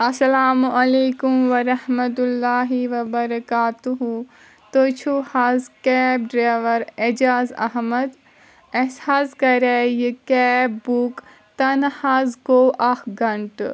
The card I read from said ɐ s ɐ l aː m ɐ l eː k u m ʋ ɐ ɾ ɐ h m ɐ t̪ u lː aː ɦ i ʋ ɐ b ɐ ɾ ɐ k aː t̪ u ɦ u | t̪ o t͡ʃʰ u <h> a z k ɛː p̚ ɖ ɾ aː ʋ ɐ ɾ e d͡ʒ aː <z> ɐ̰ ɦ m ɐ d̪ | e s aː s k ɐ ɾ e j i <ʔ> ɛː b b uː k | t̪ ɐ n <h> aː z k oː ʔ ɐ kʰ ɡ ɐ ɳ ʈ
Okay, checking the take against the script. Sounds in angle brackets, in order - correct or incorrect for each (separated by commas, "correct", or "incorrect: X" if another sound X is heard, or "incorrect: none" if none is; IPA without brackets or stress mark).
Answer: correct, correct, incorrect: k, correct